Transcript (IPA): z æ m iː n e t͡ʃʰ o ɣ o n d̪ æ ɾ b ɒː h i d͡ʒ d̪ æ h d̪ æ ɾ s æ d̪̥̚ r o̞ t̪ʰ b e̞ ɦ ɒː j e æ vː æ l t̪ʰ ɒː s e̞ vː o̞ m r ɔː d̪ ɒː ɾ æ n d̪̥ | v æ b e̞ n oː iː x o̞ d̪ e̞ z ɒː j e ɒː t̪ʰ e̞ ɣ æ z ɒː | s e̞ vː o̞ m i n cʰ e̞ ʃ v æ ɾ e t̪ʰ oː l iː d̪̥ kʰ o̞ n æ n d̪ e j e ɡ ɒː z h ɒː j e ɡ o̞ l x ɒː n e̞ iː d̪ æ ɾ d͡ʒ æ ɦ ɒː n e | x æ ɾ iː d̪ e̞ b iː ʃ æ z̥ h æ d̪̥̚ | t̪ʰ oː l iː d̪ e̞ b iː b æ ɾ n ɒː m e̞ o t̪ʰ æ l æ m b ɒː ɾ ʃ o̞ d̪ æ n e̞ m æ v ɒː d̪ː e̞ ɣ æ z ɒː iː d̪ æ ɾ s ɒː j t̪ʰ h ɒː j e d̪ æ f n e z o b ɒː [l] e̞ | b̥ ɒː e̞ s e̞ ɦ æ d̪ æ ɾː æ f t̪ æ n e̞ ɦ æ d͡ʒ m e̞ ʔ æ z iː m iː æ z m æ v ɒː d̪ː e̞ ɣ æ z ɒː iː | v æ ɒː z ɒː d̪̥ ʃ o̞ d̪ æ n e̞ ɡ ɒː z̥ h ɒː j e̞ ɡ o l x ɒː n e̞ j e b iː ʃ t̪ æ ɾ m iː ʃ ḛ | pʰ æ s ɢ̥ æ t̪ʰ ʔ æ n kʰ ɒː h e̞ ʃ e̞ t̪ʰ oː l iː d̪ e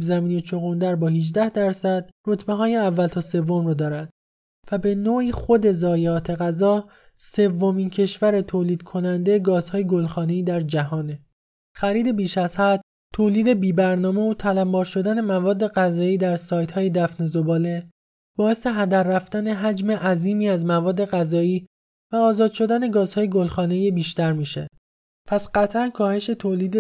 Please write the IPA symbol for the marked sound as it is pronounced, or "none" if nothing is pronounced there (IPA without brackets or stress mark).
l